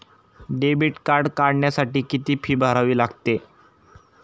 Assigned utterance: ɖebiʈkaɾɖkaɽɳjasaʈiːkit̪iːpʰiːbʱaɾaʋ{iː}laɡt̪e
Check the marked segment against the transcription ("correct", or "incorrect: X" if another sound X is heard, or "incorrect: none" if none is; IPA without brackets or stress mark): correct